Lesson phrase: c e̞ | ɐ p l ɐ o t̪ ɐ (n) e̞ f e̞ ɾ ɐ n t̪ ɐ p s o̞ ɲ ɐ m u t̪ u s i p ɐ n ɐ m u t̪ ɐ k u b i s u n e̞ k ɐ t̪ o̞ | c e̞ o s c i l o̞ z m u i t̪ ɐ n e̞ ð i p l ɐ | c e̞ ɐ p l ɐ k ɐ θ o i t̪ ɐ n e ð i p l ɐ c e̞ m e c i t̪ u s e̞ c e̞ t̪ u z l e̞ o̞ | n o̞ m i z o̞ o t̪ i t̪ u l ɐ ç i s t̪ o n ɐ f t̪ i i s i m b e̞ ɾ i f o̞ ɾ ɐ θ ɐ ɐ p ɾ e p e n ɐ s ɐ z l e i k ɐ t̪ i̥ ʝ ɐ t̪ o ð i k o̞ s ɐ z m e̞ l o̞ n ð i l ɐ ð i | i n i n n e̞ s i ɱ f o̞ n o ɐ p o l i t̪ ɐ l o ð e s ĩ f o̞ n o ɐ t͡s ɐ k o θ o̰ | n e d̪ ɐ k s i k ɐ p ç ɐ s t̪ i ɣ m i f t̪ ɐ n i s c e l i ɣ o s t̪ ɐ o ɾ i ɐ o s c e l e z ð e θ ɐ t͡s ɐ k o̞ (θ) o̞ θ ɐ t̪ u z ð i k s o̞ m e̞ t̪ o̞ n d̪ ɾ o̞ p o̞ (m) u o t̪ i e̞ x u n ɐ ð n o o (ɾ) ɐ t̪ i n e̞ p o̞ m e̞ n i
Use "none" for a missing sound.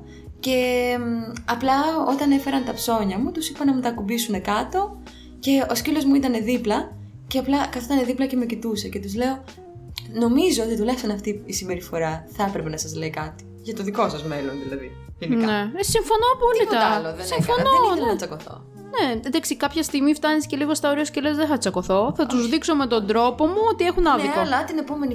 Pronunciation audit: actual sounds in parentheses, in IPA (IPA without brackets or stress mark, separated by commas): n, θ, m, l